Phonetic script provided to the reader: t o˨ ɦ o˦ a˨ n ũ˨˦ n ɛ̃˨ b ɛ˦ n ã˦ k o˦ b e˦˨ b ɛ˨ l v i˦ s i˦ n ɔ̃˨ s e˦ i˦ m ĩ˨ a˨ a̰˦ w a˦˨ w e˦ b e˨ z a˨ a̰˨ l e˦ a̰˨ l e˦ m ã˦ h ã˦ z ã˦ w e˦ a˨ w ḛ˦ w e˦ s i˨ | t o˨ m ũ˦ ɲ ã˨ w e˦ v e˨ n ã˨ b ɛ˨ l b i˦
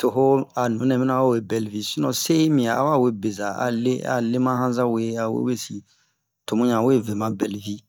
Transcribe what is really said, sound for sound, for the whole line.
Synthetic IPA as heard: t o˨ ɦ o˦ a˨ n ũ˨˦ n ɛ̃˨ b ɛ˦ n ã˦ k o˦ w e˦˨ b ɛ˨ l v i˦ s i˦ n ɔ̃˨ s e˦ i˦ m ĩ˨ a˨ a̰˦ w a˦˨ w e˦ b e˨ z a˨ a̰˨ l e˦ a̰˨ l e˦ m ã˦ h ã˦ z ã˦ w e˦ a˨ w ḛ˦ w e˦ s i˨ | t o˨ m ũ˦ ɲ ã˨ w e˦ v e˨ m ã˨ b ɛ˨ l v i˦